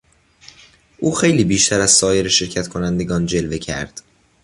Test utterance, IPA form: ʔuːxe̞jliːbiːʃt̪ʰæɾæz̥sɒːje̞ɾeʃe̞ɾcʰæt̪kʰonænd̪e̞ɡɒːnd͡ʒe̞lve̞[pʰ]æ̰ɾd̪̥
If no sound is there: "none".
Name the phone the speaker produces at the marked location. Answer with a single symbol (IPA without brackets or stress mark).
cʰ